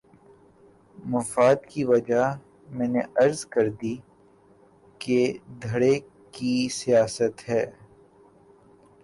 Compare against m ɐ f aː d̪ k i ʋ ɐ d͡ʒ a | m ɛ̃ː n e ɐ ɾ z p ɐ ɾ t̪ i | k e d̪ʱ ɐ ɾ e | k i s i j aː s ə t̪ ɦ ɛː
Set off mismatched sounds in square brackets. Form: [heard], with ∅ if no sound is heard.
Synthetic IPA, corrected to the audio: m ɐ f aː d̪ k i ʋ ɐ d͡ʒ a | m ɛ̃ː n e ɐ ɾ z [k] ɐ ɾ [d̪] i | k e d̪ʱ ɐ [ɽ] e | k i s i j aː s ə t̪ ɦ ɛː